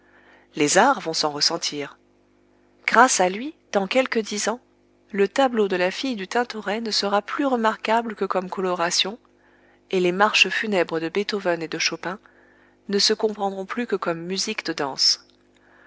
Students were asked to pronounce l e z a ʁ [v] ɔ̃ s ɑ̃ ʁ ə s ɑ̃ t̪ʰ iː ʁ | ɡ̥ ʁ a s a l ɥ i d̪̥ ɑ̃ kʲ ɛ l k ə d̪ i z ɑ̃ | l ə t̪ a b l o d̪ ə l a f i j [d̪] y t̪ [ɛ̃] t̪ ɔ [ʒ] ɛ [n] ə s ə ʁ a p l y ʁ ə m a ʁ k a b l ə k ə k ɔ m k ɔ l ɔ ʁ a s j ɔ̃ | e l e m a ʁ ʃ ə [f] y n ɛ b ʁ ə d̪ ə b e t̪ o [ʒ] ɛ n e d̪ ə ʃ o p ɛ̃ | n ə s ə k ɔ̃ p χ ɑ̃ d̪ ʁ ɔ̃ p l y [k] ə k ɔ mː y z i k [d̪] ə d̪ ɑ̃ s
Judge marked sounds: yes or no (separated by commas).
yes, yes, yes, no, yes, yes, no, yes, yes